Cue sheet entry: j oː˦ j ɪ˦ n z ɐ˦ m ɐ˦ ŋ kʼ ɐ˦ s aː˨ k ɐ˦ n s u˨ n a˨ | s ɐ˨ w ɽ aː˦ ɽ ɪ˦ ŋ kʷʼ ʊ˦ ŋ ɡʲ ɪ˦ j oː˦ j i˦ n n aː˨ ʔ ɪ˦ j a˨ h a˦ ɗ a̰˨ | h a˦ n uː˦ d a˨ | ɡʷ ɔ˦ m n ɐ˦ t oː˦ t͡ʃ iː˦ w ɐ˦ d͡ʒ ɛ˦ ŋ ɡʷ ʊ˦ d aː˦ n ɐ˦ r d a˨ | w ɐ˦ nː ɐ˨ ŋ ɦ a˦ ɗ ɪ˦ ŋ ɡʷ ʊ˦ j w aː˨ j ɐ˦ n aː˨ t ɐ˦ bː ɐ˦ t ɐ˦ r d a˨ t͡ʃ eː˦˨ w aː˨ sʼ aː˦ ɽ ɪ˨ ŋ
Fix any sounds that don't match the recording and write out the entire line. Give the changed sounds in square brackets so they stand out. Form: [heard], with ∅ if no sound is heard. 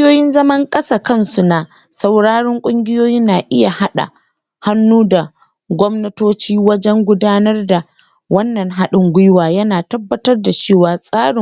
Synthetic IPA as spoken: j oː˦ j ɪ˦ n z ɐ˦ m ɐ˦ ŋ kʼ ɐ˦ s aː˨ k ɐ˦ n s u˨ n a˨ | s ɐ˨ w ɽ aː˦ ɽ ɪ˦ ŋ kʷʼ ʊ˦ ŋ ɡʲ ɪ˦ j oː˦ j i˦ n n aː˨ ʔ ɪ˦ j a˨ h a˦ ɗ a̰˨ | h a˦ [nː] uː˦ d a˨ | ɡʷ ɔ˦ m n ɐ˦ t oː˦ t͡ʃ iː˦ w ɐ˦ d͡ʒ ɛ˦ ŋ ɡʷ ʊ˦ d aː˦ n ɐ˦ r d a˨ | w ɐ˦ nː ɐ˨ ŋ ɦ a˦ ɗ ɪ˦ ŋ ɡʷ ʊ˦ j w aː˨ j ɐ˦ n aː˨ t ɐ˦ bː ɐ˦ t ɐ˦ r d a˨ t͡ʃ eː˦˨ w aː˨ sʼ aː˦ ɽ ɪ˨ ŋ